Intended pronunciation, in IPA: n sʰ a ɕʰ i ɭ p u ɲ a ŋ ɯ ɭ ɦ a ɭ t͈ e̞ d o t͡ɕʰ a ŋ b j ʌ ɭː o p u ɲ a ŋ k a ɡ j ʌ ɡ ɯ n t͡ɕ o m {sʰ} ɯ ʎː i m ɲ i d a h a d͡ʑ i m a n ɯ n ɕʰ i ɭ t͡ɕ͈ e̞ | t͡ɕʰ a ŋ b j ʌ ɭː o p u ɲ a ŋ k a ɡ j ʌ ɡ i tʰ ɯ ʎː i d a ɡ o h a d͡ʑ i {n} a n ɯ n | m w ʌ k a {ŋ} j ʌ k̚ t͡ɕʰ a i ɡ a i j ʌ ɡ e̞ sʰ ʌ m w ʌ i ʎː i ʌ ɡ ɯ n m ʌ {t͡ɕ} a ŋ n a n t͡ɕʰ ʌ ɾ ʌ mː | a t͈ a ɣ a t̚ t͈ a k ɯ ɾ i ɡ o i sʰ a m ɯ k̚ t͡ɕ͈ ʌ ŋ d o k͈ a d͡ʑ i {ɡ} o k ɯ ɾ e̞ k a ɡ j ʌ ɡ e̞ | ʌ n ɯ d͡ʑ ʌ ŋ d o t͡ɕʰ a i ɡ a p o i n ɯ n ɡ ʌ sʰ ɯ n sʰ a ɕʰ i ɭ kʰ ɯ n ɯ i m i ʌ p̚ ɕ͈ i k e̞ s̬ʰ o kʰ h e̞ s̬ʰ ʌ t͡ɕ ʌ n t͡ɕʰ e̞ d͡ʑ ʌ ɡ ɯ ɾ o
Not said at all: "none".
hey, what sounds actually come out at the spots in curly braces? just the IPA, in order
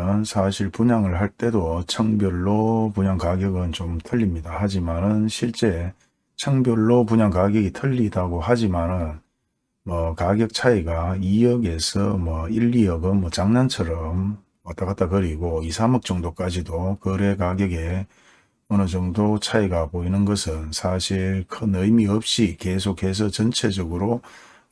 tʰ, m, ɡ, t͡ɕ, d

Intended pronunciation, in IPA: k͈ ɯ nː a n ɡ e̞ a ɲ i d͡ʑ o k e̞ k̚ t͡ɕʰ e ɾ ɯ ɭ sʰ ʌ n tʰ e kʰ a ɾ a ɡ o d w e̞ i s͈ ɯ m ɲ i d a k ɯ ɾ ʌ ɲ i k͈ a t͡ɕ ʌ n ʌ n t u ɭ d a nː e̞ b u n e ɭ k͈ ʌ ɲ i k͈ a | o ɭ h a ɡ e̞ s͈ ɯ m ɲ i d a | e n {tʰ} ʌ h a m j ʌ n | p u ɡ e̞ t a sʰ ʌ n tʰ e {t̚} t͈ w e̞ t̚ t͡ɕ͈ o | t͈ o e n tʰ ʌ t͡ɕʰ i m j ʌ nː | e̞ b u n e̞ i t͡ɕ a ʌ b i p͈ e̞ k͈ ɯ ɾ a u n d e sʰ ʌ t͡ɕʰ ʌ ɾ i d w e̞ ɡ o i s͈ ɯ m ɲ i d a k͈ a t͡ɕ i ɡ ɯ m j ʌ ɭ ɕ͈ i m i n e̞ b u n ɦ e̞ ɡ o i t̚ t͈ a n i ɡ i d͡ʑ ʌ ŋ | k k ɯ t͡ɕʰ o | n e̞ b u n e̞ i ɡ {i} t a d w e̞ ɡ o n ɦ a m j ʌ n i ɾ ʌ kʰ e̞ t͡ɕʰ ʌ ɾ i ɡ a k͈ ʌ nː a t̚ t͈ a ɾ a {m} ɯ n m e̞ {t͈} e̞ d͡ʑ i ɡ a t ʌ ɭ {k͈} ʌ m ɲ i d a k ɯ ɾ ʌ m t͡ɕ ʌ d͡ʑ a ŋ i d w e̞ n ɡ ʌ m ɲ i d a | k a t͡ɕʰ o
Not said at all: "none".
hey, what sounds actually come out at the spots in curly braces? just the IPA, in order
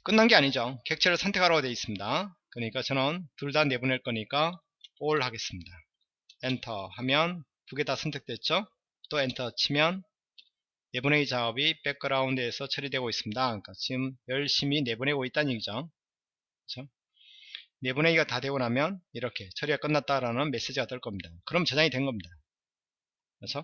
tʰ, k̚, a, n, s͈, k͈

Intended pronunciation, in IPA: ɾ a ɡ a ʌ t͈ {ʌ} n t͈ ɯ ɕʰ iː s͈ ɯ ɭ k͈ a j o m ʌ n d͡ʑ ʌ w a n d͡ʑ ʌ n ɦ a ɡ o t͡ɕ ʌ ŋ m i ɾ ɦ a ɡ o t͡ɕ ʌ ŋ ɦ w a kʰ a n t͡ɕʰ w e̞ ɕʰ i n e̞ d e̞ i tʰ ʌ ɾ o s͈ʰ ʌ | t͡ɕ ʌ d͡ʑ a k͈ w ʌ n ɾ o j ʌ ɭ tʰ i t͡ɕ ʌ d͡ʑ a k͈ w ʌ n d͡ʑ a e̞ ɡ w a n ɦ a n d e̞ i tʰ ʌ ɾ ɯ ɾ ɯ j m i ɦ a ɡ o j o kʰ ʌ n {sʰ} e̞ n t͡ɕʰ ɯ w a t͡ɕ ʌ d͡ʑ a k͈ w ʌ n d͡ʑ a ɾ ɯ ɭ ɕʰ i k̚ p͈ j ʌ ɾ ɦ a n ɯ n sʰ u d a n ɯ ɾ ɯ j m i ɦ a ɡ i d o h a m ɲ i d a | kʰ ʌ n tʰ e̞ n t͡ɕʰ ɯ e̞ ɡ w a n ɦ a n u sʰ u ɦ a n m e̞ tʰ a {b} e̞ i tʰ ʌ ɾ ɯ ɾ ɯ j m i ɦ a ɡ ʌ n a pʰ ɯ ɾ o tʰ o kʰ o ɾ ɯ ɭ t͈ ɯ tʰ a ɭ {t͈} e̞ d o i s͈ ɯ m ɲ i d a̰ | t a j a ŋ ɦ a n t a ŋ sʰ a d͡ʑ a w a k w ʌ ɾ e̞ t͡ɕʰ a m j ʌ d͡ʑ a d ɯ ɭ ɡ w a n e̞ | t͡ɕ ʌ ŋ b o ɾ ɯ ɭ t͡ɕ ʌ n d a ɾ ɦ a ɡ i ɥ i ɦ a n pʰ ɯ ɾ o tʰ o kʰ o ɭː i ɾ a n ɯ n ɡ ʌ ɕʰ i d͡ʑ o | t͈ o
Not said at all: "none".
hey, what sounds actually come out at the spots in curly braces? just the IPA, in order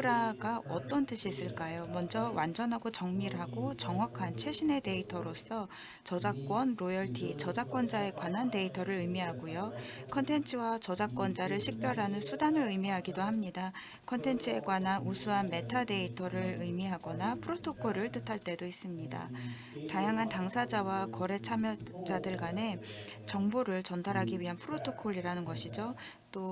ʌ, tʰ, d, t͈

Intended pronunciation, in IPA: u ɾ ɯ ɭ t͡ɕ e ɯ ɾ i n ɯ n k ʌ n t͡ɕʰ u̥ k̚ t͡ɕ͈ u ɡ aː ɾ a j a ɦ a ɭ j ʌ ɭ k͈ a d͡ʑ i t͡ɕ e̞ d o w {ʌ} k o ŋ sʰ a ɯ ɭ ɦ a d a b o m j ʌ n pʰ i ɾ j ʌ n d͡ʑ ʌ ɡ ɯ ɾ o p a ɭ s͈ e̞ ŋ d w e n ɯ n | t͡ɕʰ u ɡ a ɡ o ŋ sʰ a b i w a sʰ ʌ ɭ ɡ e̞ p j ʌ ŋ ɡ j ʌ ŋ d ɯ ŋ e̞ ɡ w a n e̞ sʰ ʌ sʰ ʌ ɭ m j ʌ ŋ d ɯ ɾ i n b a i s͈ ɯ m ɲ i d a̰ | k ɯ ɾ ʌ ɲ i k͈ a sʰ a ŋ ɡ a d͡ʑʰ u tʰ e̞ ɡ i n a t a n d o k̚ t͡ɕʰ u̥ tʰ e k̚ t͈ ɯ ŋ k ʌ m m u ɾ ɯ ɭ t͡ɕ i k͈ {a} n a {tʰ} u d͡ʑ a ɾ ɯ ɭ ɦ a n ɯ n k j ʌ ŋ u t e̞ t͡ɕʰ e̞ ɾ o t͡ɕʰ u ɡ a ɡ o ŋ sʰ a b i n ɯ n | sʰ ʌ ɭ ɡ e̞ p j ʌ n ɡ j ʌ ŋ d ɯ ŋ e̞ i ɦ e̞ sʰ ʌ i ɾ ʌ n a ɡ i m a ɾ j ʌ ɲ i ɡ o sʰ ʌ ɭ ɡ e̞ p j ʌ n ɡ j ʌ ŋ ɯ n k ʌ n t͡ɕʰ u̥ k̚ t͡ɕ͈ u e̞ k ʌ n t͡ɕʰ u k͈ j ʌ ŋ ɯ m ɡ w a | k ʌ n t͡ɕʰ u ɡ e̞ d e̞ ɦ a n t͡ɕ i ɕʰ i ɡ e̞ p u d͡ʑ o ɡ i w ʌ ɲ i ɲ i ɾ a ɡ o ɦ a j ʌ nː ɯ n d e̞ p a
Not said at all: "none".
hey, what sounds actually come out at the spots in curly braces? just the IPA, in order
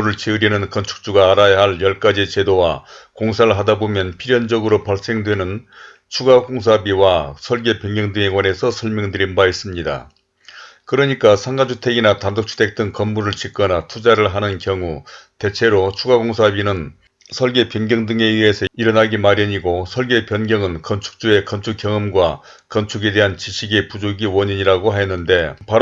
a, ʌ, tʰ

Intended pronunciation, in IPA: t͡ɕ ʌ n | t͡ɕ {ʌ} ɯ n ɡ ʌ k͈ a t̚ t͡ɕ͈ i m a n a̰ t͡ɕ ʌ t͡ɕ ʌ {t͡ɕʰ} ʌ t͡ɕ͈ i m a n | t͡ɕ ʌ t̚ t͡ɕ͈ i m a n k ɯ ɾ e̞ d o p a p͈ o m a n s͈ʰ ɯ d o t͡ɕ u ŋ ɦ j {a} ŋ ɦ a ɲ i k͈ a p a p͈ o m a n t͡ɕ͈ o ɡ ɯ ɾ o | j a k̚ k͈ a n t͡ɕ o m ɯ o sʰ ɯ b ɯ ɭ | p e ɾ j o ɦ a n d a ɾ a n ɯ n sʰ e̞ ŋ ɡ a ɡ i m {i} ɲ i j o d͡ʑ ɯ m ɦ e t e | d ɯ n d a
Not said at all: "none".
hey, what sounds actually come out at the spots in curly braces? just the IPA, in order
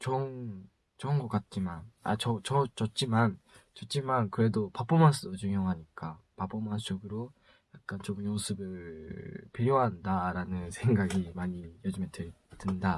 ʌ, t͡ɕ, ʌ, a

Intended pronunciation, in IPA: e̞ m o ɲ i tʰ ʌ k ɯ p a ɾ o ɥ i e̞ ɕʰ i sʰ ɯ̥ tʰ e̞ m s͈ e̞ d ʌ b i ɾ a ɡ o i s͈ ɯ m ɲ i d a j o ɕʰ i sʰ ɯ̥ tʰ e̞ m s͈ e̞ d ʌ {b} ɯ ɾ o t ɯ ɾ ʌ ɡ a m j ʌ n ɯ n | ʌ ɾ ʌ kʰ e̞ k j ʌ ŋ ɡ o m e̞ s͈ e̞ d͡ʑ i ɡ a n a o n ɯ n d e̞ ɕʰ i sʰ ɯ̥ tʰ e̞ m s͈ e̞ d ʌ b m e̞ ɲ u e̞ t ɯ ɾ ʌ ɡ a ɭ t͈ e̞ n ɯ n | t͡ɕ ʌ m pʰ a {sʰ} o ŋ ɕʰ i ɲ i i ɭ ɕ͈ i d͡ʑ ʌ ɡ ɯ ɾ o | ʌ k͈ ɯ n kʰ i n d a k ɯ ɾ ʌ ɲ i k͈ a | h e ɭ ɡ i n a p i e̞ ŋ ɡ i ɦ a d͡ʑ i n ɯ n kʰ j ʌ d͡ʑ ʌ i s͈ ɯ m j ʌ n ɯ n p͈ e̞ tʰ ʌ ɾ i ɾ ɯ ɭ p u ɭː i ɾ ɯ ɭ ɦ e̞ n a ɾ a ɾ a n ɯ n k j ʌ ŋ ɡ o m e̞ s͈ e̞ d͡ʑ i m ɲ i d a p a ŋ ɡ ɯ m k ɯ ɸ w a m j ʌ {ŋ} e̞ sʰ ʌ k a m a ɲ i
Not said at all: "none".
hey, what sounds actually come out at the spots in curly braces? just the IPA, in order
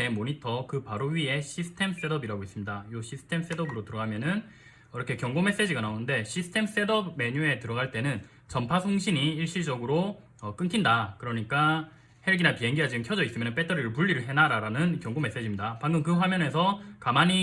b, sʰ, n

